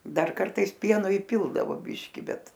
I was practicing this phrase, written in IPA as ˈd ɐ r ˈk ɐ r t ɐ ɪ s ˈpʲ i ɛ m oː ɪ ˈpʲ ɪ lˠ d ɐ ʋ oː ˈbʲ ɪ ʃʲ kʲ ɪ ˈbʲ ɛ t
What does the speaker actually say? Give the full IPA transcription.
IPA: ˈd ɐ r ˈk ɐ r t ɐ ɪ s ˈpʲ i ɛ n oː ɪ ˈpʲ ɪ lˠ d ɐ ʋ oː ˈbʲ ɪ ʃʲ kʲ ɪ ˈbʲ ɛ t